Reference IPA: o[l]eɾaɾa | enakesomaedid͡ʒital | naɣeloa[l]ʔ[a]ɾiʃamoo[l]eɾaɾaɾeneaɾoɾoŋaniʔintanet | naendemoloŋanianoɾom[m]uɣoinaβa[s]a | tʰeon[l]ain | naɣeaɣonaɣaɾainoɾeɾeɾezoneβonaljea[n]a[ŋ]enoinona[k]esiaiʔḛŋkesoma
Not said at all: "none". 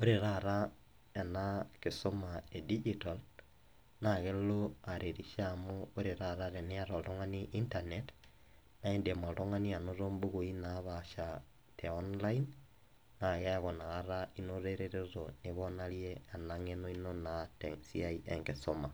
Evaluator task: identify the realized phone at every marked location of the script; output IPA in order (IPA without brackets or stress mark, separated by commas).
ɾ, ɾ, e, ɾ, b, ʃ, l, n, ŋ, t